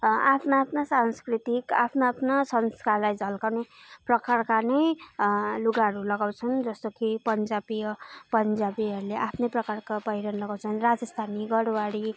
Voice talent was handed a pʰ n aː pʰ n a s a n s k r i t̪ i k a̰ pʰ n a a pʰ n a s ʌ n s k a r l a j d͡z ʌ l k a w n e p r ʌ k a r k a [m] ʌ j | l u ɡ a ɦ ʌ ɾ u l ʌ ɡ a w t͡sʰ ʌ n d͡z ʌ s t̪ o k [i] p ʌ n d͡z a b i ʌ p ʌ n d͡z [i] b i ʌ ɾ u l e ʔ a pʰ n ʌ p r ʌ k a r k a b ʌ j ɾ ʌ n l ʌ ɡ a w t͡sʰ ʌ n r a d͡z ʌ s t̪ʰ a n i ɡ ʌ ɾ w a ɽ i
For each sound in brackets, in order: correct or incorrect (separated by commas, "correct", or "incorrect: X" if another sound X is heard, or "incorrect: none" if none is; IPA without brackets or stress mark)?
incorrect: n, correct, incorrect: a